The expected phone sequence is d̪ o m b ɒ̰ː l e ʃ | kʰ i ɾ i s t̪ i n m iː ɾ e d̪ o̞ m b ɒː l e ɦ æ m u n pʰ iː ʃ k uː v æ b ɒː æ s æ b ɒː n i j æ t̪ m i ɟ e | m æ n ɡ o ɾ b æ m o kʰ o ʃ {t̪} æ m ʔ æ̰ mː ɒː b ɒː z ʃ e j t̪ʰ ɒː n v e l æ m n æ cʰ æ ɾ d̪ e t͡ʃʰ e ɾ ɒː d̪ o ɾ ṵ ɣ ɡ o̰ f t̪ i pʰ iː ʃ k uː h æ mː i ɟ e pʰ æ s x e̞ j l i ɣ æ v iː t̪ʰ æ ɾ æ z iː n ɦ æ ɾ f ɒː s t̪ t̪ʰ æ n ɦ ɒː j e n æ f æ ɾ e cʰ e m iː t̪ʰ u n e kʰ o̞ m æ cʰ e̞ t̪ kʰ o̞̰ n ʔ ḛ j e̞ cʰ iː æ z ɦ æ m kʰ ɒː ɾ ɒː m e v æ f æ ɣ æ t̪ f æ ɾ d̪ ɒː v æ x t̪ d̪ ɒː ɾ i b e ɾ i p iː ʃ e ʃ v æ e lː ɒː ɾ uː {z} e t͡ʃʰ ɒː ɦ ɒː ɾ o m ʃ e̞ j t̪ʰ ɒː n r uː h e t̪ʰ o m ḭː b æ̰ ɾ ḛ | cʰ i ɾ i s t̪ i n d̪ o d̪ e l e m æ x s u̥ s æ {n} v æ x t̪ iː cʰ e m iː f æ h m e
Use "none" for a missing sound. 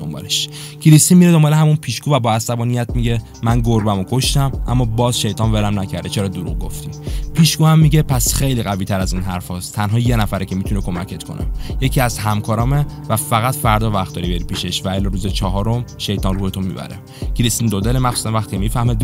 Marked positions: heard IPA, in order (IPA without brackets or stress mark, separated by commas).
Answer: t̪, z, n